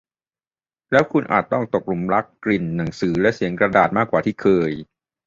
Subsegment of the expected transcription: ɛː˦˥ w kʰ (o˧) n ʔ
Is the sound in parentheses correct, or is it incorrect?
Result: incorrect: u˧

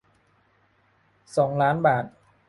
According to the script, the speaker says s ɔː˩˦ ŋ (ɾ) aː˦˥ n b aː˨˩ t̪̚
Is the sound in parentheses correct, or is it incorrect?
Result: incorrect: l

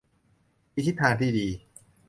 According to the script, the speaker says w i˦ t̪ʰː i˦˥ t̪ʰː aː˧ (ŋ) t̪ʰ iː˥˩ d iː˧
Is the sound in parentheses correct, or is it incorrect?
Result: incorrect: n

